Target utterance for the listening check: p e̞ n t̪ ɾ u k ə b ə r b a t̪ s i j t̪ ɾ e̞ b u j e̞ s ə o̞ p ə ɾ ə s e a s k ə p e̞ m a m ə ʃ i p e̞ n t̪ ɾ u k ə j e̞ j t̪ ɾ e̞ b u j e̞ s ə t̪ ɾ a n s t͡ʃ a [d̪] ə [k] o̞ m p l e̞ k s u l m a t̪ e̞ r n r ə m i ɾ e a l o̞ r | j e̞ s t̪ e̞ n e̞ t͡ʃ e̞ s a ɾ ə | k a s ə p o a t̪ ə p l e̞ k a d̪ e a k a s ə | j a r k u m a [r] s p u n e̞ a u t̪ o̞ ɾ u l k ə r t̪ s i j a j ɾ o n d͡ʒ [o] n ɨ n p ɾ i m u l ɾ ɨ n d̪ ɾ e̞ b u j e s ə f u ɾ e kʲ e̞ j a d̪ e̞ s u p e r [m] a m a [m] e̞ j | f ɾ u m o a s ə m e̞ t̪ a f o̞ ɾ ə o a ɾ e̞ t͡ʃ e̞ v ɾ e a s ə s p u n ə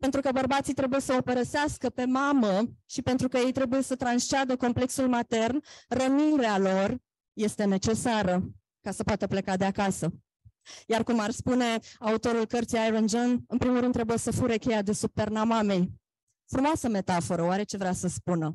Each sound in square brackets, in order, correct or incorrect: correct, correct, correct, correct, incorrect, correct

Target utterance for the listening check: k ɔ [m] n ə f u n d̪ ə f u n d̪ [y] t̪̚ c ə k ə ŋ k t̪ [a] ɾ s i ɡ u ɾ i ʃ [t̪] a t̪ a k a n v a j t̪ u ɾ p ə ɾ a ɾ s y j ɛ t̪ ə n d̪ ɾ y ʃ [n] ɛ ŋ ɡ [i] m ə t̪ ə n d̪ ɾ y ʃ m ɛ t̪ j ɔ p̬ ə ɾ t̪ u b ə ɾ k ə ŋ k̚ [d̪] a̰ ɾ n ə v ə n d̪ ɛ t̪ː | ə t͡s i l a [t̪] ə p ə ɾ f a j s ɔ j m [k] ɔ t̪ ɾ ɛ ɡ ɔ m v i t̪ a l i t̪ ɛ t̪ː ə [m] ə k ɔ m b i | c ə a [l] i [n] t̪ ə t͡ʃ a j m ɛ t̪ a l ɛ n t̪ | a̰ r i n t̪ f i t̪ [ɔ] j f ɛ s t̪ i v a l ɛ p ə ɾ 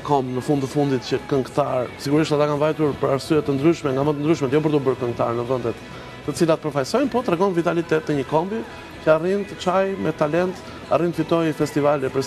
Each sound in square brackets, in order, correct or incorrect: correct, incorrect, correct, correct, incorrect, incorrect, incorrect, correct, incorrect, incorrect, incorrect, correct, correct

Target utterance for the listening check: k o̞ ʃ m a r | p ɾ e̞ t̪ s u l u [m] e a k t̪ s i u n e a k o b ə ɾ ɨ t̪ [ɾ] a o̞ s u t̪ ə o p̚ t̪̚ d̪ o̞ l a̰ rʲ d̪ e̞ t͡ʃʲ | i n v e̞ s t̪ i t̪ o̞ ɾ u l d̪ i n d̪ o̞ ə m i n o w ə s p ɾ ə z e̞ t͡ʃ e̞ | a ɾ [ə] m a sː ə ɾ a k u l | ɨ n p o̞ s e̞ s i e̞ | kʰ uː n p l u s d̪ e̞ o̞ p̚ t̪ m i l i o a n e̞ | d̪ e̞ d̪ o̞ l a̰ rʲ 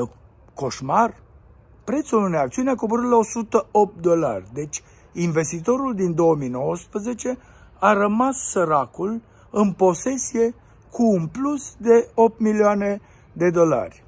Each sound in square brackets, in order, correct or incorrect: incorrect, incorrect, correct

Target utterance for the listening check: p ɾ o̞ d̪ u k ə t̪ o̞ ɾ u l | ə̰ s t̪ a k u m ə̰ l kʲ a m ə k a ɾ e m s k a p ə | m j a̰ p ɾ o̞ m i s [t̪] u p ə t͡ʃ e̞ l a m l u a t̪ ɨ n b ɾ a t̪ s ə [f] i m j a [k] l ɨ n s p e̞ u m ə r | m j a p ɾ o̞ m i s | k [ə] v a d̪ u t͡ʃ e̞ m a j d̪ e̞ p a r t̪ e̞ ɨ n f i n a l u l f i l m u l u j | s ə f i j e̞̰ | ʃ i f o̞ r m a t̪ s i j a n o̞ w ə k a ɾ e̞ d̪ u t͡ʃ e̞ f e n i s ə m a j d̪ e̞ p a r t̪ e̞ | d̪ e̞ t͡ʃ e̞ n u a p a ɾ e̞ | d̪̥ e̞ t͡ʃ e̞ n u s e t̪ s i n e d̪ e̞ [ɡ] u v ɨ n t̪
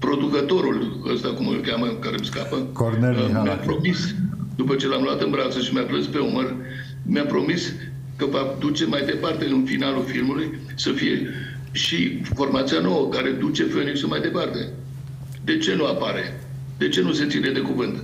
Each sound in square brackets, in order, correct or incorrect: incorrect, incorrect, incorrect, correct, incorrect

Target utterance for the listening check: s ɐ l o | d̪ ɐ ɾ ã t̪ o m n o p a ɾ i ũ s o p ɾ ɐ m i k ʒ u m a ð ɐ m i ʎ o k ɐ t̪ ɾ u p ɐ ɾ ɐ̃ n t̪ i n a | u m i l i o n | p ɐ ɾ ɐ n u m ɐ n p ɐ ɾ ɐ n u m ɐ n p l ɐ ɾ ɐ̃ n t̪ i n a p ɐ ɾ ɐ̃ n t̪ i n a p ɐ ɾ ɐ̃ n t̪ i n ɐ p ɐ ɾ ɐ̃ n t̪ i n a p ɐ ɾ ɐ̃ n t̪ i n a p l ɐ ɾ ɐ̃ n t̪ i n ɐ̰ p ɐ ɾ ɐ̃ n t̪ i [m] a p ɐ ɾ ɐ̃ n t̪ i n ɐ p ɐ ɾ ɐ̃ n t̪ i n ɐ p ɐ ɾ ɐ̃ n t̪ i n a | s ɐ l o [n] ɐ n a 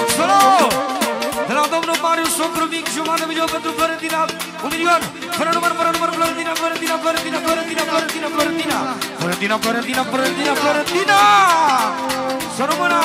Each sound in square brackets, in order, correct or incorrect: incorrect, incorrect

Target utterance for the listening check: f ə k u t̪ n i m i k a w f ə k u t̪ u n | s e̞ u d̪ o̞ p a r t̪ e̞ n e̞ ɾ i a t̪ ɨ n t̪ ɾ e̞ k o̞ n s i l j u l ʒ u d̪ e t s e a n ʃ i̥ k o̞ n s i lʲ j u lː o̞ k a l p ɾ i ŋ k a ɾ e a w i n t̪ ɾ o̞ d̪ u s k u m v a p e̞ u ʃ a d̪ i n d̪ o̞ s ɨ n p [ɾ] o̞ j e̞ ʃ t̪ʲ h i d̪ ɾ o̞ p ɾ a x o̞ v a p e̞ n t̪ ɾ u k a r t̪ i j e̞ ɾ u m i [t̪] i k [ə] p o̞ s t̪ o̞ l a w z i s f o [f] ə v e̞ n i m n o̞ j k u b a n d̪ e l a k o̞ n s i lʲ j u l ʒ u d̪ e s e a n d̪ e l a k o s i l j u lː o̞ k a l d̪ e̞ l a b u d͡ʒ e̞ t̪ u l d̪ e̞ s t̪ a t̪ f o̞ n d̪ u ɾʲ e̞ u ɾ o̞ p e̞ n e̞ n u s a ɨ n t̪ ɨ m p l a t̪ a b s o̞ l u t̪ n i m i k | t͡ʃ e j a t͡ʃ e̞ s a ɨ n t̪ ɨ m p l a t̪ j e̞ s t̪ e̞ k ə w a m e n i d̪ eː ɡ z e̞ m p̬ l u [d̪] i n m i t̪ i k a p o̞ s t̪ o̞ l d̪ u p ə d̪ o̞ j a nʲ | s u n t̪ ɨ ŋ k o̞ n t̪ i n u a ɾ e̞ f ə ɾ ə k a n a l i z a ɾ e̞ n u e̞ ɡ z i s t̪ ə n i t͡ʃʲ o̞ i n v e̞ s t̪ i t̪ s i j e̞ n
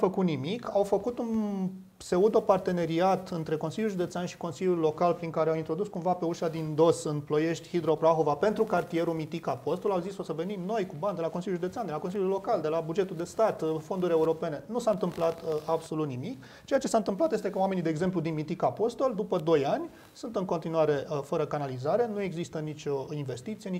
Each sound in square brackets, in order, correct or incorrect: incorrect, correct, incorrect, incorrect, correct

